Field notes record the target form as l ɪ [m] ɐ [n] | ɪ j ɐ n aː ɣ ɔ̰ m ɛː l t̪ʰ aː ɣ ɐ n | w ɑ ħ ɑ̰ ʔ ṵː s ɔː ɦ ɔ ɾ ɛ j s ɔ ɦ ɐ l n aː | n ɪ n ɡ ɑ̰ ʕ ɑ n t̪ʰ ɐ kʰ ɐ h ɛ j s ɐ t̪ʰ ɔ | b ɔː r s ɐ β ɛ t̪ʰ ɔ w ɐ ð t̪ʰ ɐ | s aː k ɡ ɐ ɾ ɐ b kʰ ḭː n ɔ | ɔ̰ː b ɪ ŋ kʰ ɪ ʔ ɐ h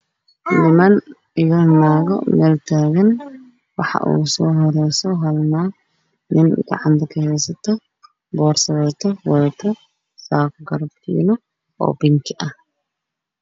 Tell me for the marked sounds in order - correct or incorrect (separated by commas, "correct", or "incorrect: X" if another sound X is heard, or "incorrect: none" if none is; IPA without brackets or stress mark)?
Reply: correct, correct